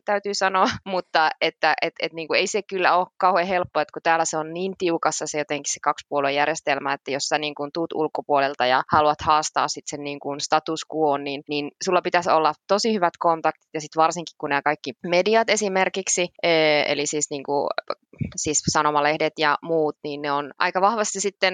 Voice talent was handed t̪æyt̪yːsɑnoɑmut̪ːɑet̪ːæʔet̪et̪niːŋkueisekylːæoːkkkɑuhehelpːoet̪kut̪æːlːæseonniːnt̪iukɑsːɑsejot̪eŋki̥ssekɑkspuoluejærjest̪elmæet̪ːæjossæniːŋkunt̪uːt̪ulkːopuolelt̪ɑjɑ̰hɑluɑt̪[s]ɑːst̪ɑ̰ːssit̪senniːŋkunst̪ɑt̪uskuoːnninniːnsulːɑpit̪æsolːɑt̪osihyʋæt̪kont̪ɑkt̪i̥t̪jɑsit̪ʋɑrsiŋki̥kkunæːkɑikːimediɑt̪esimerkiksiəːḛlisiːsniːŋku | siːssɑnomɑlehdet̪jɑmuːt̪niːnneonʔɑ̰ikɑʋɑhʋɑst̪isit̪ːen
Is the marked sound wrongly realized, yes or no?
yes